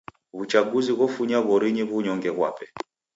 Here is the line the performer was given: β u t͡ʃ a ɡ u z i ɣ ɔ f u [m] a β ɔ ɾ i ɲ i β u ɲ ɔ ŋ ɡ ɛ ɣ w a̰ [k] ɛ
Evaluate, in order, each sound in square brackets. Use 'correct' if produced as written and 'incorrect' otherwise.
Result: incorrect: ɲ, incorrect: p

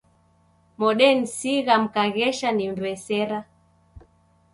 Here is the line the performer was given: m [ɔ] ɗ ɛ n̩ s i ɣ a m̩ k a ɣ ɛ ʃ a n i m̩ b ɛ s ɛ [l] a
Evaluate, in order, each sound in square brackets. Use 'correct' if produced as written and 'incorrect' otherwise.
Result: correct, incorrect: ɾ

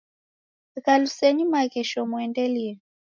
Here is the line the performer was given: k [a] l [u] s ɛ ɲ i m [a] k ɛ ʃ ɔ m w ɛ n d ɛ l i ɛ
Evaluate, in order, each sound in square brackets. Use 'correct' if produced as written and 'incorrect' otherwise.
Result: correct, correct, correct

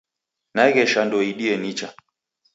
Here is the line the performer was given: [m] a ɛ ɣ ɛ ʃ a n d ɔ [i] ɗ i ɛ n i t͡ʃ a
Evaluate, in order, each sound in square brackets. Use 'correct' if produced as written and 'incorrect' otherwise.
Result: incorrect: n, correct

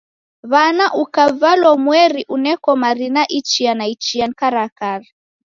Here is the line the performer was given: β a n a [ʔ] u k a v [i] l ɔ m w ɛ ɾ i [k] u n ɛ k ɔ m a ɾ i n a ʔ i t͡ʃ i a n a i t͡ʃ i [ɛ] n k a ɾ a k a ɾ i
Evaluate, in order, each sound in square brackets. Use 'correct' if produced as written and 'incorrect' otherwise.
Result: correct, incorrect: a, incorrect: ʔ, incorrect: a

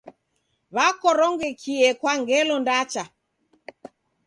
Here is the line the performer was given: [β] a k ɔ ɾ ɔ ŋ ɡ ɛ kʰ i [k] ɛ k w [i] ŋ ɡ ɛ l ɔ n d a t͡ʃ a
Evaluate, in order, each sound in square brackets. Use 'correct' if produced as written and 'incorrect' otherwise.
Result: correct, incorrect: none, incorrect: a

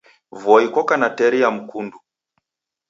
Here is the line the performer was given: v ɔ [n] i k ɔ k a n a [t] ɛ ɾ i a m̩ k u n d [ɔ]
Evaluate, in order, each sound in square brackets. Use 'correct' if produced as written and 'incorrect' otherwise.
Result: incorrect: none, correct, incorrect: u

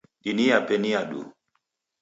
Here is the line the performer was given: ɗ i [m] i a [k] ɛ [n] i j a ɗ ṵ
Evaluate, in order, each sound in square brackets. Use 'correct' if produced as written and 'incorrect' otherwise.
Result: incorrect: n, incorrect: p, correct

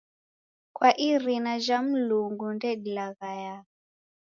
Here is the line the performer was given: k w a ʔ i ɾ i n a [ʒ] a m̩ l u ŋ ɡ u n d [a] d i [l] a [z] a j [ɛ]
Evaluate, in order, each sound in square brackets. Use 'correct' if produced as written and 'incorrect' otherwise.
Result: correct, incorrect: ɛ, correct, incorrect: ɣ, incorrect: a

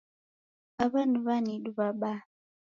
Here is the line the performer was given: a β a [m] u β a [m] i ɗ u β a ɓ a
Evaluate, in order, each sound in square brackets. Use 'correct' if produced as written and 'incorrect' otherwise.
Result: incorrect: n, incorrect: n

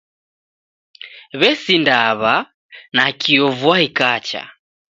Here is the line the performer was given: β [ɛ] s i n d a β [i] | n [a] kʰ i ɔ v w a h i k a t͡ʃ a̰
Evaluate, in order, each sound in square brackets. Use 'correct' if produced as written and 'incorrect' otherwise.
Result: correct, incorrect: a, correct

